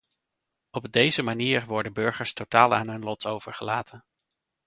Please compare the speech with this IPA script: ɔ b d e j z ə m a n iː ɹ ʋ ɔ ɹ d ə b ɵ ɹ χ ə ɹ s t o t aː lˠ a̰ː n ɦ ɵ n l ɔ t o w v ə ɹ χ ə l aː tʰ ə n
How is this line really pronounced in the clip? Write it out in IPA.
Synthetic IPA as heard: ɔ b d e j z ə m a n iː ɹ ʋ ɔ ɹ d ə b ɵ ɹ χ ə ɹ s t o t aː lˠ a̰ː n ɦ ɵ n l ɔ t o w v ə ɹ χ ə l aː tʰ ə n